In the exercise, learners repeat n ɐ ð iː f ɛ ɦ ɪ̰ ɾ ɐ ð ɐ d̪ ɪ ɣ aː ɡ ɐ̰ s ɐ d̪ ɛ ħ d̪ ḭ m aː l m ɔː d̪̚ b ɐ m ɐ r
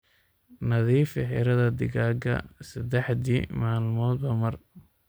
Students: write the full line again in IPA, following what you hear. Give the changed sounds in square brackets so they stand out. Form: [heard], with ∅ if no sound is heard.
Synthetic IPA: n ɐ ð iː f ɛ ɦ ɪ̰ ɾ ɐ ð ɐ d̪ ɪ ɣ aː ɡ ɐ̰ s ɐ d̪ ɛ ħ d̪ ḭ m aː l m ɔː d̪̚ b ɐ m ɐ r